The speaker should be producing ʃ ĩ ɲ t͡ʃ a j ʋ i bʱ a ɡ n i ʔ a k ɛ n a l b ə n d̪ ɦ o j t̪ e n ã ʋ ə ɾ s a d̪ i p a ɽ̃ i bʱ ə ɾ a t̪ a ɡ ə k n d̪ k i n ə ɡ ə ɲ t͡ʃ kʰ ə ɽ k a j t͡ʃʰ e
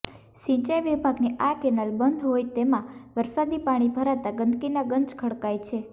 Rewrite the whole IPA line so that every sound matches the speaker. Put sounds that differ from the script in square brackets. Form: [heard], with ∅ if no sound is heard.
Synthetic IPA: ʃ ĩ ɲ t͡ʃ a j ʋ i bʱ a ɡ n i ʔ a k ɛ n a l b ə n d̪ ɦ o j t̪ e [m] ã ʋ ə ɾ s a d̪ i p a ɽ̃ i bʱ ə ɾ a t̪ a ɡ ə [∅] n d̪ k i n [a] ɡ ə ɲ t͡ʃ kʰ ə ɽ k a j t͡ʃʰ e